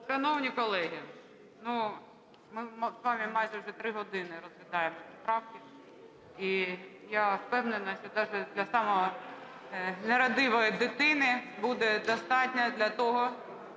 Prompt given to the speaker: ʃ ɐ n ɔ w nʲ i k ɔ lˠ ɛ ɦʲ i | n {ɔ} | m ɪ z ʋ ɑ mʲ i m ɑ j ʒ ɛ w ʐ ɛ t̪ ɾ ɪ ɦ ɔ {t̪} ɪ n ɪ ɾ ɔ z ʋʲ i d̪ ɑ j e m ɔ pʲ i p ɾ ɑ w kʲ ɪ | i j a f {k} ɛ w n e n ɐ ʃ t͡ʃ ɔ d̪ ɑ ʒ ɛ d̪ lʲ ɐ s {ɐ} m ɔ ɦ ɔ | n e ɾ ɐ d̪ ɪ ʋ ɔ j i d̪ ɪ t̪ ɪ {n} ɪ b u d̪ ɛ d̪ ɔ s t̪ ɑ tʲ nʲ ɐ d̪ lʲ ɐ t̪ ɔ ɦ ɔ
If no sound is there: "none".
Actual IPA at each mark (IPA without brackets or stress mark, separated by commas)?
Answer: u, d̪, p, ɑ, n